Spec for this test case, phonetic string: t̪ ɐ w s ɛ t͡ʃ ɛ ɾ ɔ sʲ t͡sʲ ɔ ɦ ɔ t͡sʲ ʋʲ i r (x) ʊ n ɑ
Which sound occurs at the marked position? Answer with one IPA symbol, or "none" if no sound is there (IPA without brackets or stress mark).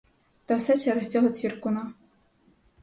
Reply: k